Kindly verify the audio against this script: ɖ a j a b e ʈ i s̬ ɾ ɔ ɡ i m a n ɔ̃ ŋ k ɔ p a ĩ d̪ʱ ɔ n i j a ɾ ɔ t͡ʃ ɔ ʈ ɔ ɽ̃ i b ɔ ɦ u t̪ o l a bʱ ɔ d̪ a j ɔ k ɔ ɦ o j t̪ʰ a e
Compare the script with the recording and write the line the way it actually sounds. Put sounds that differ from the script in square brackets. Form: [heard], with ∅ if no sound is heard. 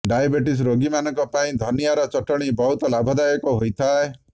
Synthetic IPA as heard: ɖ a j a b e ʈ i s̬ ɾ [o] ɡ i m a n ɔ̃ ŋ k ɔ p a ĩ d̪ʱ ɔ n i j a ɾ ɔ t͡ʃ ɔ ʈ ɔ ɽ̃ i b ɔ ɦ u t̪ [ɔ] l a bʱ ɔ d̪ a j ɔ k ɔ ɦ o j t̪ʰ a e

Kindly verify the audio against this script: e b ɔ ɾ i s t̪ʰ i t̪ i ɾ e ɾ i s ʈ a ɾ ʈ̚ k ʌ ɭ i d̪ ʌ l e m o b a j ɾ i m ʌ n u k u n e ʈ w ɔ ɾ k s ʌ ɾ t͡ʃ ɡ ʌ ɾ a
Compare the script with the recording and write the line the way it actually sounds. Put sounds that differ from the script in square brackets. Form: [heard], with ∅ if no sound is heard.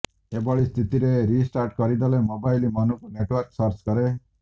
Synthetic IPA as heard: e b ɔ [ɭ] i s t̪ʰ i t̪ i ɾ e ɾ i s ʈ a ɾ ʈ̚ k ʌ [ɾ] i d̪ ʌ l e m o b a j [l] i m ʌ n u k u n e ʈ w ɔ ɾ k s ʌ ɾ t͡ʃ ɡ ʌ ɾ [e]

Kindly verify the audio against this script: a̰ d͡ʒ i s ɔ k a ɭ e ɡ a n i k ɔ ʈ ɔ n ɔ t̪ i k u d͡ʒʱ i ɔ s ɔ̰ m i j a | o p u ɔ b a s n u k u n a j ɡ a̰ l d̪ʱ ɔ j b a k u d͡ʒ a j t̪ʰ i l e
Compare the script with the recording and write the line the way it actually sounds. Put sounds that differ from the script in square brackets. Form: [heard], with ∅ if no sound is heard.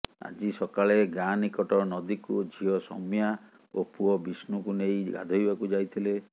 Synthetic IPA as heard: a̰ d͡ʒ i s ɔ k a ɭ e ɡ a n i k ɔ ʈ ɔ n ɔ [d̪] i k u d͡ʒʱ i ɔ s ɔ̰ m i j a | o p u ɔ b [i] s n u k u n [e] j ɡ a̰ [∅] d̪ʱ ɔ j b a k u d͡ʒ a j t̪ʰ i l e

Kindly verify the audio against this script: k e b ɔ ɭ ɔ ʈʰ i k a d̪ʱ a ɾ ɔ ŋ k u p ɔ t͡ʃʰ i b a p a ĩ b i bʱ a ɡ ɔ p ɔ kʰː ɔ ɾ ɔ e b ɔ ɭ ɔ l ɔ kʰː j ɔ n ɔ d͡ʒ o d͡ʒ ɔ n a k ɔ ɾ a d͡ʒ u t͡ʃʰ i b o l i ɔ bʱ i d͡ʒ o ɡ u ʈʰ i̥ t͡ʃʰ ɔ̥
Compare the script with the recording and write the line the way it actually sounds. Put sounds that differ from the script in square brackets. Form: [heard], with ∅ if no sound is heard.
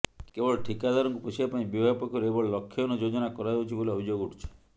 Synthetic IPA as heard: k e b ɔ ɭ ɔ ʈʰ i k a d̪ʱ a ɾ ɔ ŋ k u p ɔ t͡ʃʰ i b a p a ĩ b i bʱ a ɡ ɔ p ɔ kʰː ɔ ɾ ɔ e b ɔ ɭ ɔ l ɔ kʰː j ɔ n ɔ d͡ʒ o d͡ʒ ɔ n a k ɔ ɾ a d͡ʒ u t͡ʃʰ i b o l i ɔ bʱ i d͡ʒ o ɡ u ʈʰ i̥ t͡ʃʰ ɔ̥

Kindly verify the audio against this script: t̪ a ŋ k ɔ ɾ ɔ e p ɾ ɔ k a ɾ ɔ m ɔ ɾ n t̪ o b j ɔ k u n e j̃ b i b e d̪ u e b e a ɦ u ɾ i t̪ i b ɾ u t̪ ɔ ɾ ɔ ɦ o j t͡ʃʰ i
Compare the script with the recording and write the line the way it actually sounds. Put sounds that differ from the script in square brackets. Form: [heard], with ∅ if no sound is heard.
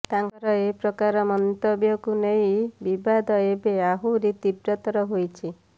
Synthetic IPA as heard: t̪ a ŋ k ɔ ɾ ɔ e p ɾ ɔ k a ɾ ɔ m ɔ [∅] n t̪ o b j ɔ k u n e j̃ b i b [a] d̪ [ɔ] e b e a ɦ u ɾ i t̪ i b ɾ [ɔ] t̪ ɔ ɾ ɔ ɦ o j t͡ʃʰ i

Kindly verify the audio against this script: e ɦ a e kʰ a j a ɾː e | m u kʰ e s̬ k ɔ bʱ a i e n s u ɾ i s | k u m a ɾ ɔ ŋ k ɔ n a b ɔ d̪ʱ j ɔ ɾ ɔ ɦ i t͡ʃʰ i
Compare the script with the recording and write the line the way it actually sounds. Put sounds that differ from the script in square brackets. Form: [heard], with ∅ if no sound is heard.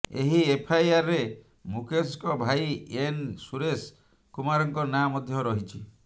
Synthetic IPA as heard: e ɦ [i] e [pʰ] a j a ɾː e | m u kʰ e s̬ k ɔ bʱ a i e n s u ɾ [e] s | k u m a ɾ ɔ ŋ k ɔ n a [m] ɔ d̪ʱ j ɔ ɾ ɔ ɦ i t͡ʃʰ i

